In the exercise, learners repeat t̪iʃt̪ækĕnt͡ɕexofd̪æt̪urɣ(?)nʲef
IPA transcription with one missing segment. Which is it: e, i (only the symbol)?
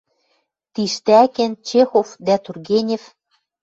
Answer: e